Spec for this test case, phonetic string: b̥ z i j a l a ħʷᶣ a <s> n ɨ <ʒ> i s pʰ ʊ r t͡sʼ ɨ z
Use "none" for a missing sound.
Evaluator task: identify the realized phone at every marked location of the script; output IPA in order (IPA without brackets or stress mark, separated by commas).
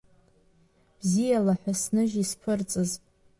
s, ʒ